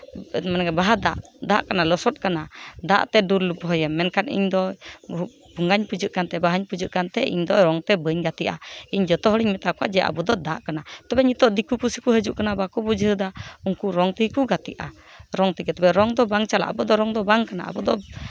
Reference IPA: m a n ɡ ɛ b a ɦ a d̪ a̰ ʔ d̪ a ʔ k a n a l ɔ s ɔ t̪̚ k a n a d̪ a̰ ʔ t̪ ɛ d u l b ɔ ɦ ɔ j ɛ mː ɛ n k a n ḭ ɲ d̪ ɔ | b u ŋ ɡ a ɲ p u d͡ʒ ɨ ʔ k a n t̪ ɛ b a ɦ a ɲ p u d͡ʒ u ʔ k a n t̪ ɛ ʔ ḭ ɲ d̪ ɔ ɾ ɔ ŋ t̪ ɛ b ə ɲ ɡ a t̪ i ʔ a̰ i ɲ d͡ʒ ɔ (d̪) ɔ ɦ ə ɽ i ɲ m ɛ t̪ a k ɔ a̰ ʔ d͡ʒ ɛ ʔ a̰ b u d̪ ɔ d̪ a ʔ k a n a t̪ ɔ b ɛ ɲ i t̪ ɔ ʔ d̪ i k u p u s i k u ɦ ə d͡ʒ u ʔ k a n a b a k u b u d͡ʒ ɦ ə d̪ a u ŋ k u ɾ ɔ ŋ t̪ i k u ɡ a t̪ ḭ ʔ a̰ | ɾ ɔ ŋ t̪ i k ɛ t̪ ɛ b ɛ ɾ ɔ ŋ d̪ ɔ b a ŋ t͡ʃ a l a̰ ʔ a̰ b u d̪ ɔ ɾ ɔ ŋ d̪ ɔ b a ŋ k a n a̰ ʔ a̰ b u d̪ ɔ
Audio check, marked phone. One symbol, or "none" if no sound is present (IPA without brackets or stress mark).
t̪